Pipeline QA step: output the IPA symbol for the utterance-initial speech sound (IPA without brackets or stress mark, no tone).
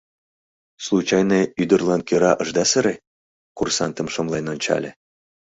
s